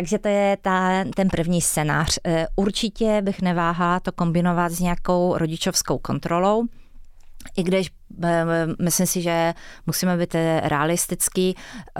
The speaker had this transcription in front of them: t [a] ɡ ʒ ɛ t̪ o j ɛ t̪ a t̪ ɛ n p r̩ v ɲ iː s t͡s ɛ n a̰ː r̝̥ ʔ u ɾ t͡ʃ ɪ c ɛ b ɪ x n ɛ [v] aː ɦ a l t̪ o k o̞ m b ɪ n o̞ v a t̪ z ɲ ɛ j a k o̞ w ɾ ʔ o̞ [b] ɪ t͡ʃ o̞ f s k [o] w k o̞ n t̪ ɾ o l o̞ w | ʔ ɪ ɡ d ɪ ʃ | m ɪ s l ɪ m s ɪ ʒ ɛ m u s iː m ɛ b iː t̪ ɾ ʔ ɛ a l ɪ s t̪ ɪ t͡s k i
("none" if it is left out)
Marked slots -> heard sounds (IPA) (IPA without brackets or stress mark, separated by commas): a, v, ɟ, o